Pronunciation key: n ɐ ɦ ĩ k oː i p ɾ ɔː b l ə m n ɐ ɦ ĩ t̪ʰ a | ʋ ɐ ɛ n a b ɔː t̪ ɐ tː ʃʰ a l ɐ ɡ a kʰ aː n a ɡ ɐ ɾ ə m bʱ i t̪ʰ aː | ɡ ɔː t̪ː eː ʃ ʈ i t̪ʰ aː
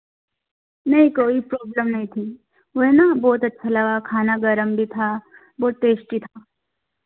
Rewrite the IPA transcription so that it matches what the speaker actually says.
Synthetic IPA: n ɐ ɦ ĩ k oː i p ɾ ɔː b l ə m n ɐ ɦ ĩ t̪ʰ i | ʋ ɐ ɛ n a b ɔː t̪ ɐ tː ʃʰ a l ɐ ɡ a kʰ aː n a ɡ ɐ ɾ ə m bʱ i t̪ʰ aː | b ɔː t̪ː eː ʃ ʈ i t̪ʰ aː